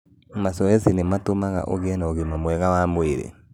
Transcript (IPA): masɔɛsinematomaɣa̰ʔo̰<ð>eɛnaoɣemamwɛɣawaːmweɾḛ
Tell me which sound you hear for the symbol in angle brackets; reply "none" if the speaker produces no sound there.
ɣ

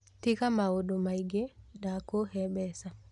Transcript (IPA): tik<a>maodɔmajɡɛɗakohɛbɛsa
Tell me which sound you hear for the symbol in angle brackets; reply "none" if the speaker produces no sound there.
a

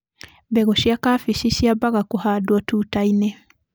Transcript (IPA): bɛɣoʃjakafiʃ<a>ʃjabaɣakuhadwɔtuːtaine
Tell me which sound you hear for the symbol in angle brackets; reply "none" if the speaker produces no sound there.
i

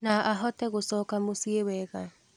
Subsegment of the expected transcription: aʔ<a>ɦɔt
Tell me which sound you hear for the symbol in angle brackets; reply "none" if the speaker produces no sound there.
a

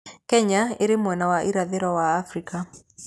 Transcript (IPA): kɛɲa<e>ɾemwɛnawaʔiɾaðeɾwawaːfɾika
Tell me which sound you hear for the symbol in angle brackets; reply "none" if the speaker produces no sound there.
e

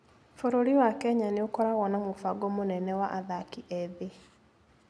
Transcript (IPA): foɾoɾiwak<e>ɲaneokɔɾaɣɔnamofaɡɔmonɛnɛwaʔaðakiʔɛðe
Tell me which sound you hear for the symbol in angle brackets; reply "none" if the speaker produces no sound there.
ɛ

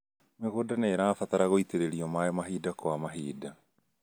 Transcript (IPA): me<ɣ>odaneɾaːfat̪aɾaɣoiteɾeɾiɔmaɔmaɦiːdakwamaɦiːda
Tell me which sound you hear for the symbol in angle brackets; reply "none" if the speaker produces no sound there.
ɣ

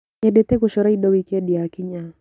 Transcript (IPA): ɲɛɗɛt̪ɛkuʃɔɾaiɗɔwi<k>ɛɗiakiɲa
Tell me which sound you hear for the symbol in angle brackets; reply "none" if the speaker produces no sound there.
k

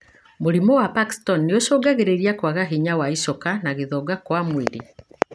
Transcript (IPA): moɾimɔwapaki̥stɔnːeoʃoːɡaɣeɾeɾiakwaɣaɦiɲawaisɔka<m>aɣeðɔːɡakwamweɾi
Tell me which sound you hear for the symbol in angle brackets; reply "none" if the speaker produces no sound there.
n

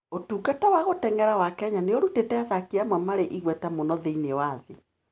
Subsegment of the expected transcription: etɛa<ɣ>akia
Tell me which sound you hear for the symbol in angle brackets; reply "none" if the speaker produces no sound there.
ð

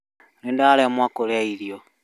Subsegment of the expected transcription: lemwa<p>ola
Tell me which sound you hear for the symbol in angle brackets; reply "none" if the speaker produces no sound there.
k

